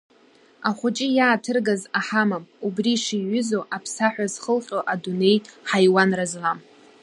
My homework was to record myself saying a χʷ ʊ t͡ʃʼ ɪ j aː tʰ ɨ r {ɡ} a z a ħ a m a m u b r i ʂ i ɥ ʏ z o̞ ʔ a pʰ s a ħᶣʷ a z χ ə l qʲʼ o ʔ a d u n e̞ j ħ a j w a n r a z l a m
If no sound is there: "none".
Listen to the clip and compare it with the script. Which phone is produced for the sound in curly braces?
ɡ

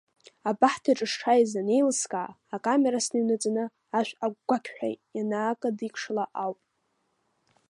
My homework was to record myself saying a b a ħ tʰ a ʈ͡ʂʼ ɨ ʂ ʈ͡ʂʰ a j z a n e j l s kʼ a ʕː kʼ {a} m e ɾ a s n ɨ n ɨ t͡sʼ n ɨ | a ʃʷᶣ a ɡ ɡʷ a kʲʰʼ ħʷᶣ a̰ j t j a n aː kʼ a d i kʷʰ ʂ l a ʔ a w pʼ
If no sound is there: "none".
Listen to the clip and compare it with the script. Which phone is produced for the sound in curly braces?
a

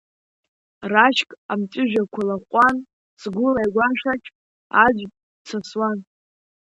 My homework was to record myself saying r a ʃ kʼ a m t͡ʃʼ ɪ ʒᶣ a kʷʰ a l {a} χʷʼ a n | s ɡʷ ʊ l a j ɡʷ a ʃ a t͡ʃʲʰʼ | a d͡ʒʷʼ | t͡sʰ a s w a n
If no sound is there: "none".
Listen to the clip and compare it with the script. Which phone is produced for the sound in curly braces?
a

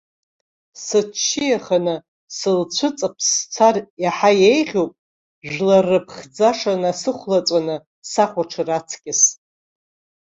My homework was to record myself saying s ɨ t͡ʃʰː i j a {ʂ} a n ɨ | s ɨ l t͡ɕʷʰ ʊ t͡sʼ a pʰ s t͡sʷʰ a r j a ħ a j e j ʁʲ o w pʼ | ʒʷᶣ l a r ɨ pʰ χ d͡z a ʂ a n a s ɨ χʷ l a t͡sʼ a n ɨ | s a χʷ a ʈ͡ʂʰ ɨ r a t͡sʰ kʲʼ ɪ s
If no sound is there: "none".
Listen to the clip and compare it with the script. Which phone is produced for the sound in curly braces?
χ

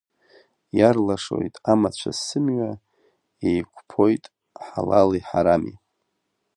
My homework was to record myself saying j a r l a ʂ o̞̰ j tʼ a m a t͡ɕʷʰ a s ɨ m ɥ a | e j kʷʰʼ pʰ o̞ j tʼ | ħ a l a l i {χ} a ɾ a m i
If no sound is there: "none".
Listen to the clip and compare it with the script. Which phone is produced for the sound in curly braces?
ħ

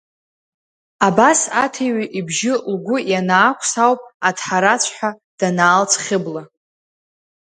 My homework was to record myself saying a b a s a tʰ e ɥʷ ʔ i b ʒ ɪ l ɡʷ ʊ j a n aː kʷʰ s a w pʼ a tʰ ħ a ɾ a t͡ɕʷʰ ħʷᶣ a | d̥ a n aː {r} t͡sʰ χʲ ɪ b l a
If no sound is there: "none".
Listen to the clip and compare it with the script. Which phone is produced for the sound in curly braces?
l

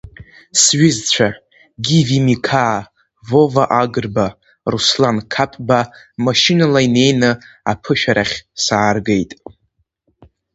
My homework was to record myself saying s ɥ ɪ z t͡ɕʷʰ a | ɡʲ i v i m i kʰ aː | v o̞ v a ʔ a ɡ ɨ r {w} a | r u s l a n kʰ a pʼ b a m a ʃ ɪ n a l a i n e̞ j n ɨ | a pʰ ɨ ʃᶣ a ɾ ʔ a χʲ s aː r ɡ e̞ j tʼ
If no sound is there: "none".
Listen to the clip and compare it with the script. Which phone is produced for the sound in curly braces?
b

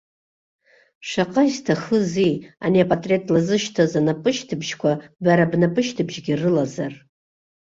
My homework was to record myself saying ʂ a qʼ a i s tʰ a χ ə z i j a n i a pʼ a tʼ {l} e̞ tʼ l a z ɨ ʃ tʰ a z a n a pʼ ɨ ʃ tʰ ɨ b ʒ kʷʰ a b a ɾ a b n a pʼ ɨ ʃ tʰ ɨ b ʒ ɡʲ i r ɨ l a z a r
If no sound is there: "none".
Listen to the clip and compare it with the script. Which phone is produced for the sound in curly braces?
r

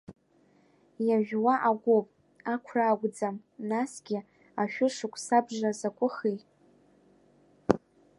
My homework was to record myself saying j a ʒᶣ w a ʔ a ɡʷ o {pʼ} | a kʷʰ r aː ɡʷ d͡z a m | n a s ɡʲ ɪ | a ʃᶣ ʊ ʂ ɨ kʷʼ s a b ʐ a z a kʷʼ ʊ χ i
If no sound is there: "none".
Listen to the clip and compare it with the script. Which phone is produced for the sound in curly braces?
pʼ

